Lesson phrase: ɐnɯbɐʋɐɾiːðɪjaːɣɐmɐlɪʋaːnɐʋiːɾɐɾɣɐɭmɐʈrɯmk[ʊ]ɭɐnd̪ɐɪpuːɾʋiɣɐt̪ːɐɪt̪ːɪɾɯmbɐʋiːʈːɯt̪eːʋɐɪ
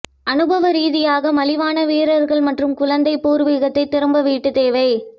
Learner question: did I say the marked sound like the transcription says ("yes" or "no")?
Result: yes